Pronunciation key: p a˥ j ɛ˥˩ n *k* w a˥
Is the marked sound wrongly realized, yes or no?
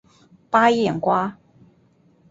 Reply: no